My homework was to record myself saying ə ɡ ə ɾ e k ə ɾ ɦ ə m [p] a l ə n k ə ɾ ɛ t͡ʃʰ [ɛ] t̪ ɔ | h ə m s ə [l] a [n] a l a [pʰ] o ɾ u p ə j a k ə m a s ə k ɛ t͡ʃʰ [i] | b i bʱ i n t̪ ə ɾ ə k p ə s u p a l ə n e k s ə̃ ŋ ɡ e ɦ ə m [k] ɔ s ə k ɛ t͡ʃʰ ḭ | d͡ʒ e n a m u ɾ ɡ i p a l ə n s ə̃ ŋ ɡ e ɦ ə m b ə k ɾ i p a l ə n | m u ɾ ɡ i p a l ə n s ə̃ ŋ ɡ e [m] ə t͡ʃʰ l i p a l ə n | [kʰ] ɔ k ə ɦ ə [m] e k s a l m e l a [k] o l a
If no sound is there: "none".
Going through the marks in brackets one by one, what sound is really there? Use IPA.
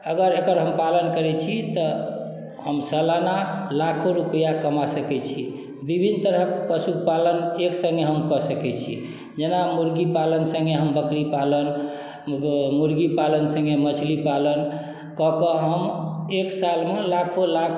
p, i, l, n, kʰ, i, k, m, k, m, kʰ

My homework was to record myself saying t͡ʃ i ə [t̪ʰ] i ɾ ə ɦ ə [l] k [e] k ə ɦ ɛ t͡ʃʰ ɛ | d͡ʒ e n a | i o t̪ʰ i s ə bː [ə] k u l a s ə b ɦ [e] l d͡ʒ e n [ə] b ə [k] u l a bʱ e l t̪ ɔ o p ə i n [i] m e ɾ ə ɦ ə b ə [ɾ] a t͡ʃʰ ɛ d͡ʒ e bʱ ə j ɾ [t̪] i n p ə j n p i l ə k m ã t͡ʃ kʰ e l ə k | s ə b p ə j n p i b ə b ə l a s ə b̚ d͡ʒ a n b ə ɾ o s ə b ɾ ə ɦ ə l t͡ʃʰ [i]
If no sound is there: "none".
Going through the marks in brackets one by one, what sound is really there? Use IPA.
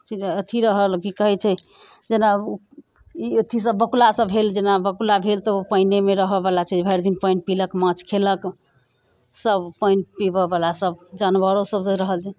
t̪ʰ, l, i, ə, e, a, k, e, l, d̪, ɛ

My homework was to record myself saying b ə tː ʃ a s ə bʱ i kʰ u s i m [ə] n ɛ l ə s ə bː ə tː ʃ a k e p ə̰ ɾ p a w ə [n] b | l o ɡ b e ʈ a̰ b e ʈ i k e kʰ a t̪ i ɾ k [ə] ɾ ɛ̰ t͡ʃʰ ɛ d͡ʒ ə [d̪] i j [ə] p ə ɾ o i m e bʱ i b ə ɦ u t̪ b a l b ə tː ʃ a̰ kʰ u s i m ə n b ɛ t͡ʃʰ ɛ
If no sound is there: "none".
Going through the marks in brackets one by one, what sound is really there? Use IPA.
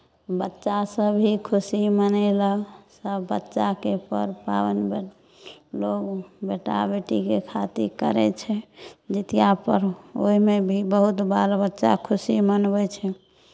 ə, n, ə, t̪, a

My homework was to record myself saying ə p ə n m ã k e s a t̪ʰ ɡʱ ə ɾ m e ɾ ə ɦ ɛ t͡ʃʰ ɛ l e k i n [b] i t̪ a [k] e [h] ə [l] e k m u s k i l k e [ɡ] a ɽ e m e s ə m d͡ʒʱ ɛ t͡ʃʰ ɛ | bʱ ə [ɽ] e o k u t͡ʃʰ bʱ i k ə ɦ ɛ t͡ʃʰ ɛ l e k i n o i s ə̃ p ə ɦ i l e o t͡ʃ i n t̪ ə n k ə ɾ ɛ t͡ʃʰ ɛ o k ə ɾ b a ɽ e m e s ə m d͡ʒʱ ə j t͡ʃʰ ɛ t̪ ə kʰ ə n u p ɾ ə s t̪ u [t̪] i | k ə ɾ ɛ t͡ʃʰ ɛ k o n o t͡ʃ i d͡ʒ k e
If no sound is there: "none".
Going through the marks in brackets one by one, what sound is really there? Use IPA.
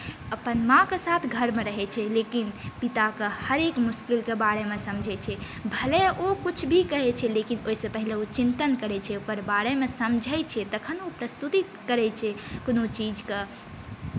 p, k, h, ɾ, b, l, t̪

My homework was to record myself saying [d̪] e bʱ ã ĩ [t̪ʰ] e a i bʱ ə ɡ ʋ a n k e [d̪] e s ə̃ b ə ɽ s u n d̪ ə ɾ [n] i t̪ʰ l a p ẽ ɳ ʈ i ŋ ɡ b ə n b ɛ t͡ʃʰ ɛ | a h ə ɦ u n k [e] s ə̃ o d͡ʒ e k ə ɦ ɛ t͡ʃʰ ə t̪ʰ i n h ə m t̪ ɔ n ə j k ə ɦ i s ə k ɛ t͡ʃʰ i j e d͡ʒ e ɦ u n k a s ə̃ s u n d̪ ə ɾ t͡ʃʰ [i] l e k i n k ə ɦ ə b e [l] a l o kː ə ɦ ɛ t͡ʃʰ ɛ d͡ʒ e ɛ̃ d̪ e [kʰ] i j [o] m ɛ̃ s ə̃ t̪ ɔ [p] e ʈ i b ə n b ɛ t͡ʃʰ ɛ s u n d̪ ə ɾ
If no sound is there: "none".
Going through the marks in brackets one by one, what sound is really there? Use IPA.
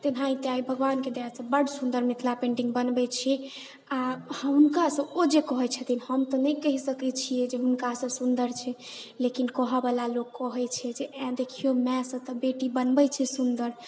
t̪, t̪, d̪, m, a, ɛ, l, kʰ, o, b

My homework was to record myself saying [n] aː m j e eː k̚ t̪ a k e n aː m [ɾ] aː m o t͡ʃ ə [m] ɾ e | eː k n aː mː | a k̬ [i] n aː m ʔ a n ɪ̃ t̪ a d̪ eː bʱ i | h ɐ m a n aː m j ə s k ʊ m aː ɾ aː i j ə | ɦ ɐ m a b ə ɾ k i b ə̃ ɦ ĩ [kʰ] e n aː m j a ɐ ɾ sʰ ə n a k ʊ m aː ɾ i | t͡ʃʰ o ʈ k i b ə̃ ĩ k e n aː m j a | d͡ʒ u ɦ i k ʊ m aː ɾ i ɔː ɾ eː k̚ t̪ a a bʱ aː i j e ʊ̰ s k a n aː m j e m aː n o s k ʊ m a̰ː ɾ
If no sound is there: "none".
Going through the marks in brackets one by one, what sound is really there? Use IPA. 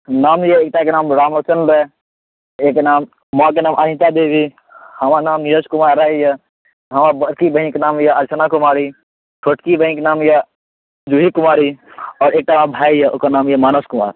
n, ɾ, n, e, k

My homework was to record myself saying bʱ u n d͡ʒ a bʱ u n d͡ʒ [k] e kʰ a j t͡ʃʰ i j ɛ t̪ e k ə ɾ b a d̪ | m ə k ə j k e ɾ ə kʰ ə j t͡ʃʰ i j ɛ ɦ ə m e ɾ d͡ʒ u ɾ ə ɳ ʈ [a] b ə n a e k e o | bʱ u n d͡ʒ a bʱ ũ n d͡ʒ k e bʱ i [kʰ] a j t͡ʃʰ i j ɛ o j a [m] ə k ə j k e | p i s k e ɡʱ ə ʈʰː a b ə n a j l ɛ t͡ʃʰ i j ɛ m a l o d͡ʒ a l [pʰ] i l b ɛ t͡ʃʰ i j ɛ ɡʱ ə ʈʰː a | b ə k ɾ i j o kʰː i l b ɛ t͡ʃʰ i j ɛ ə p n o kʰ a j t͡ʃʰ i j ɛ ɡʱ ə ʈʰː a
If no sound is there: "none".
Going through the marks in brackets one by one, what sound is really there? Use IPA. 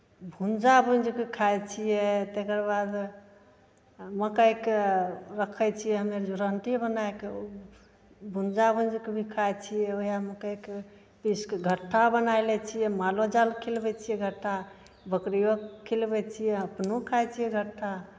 k, i, kʰ, m, kʰ

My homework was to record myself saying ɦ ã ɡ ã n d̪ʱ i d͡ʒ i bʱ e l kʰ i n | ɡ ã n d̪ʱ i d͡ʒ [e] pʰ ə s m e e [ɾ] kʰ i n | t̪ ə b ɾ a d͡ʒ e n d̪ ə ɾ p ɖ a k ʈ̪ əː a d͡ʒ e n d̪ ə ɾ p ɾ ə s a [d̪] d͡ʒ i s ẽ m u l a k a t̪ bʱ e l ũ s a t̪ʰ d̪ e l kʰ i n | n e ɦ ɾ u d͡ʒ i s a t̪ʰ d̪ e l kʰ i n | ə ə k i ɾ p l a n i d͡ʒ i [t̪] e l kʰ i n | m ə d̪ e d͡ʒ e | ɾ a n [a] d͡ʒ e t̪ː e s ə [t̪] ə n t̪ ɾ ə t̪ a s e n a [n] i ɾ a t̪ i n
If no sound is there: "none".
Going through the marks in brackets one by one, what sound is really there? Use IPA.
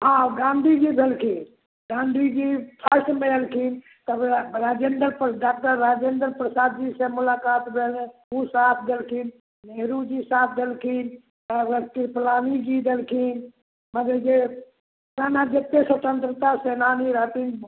i, l, d̪, d̪, a, t̪, n

